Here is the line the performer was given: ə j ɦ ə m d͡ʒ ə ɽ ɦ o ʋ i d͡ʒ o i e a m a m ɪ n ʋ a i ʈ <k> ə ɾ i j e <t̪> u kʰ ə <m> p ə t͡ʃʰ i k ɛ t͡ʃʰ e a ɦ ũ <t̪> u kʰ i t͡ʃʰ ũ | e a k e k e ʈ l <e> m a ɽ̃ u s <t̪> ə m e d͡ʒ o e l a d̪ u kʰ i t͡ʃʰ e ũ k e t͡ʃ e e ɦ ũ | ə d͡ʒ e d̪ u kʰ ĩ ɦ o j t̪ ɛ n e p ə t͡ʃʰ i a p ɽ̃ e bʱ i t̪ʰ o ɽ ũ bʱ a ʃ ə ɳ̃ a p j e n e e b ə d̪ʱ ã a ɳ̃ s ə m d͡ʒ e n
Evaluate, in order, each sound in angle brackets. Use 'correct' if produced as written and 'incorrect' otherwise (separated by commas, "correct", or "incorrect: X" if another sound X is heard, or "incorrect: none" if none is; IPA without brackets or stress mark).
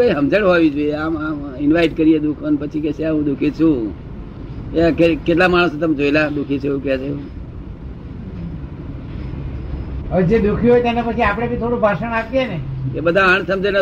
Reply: correct, incorrect: d̪, incorrect: n, incorrect: d̪, incorrect: a, correct